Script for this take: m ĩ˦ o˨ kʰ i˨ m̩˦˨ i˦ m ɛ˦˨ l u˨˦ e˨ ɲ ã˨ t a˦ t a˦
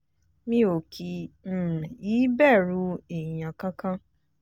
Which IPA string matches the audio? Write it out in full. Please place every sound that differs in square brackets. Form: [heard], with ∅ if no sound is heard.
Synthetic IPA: m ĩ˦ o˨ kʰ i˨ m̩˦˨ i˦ [b] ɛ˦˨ [ɾ] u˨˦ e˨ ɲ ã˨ [k] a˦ [k] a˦